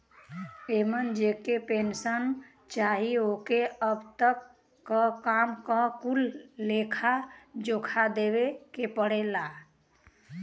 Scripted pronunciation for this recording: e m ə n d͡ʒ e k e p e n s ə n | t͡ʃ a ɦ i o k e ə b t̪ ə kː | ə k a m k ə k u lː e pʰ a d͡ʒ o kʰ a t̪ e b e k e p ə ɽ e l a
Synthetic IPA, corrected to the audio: e m ə n d͡ʒ e k e p e n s ə n | t͡ʃ a ɦ i o k e ə b t̪ ə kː | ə k a m k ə k u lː e kʰ a d͡ʒ o kʰ a d̪ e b e k e p ə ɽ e l a